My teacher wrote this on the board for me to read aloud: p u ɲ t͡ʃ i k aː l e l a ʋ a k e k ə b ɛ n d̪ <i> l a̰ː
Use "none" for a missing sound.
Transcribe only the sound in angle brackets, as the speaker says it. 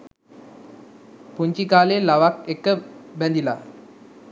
i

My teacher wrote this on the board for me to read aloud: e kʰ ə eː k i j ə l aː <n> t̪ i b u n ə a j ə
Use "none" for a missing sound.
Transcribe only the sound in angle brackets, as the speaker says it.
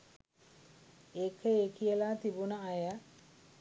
none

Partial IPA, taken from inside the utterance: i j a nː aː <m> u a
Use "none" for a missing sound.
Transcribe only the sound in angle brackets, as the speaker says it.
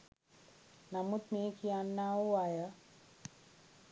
none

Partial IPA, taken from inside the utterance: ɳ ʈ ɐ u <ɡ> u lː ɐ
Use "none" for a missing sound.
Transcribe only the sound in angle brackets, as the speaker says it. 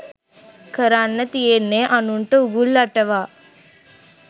ɡ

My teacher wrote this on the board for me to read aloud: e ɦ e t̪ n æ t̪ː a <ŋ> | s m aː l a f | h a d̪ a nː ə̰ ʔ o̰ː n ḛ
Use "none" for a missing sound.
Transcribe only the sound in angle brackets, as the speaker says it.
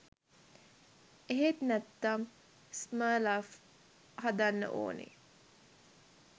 m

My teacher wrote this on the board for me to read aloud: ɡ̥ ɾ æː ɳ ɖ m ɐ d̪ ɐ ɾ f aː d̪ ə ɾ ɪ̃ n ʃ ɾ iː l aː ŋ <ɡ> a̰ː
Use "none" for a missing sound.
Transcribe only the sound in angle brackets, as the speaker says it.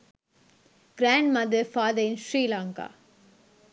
k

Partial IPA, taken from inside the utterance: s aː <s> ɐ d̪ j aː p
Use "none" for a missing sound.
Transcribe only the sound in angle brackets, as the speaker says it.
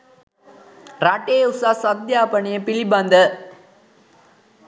s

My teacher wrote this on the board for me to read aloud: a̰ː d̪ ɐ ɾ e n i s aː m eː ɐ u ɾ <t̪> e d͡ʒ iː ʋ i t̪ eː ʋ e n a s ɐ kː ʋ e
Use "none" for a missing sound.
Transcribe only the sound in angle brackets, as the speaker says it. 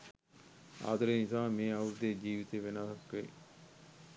d̪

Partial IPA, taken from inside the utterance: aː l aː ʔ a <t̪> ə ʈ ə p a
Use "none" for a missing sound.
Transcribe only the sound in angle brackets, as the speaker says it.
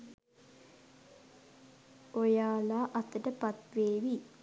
t̪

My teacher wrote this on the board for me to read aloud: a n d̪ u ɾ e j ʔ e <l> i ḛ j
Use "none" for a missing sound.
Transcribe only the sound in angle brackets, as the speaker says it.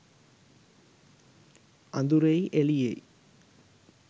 l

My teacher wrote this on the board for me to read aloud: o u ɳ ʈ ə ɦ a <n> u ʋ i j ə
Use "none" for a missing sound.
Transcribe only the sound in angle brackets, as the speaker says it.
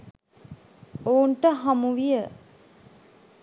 m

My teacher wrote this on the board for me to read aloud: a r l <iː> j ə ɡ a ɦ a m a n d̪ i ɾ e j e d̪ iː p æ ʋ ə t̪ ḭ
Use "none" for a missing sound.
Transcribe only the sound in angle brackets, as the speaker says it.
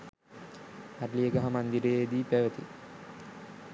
i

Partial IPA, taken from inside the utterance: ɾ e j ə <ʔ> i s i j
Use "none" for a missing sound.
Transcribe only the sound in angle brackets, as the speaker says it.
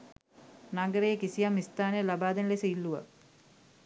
k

